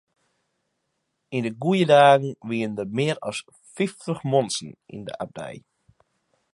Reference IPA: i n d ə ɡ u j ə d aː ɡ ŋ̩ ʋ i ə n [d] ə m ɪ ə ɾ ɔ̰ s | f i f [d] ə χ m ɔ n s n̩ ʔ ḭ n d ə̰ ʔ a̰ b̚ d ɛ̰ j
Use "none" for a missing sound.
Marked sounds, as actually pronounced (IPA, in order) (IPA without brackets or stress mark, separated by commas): d, t